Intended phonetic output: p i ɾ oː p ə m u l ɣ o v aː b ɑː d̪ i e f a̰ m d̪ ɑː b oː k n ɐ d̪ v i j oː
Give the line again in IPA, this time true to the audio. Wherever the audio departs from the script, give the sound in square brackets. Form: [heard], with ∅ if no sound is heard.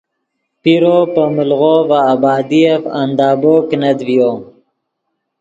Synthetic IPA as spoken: p i ɾ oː p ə m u l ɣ o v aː b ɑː d̪ i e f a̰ [n] d̪ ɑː b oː k n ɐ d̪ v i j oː